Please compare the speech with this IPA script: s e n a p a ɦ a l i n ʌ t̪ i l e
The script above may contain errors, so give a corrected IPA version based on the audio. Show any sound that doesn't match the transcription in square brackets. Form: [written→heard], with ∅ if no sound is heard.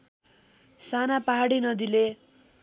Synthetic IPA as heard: s [e→a] n a p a ɦ a [l→ɽ] i n ʌ [t̪→d̪] i l e